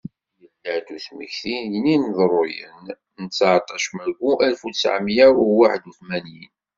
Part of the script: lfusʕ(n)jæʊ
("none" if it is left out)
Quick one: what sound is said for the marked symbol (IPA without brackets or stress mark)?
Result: m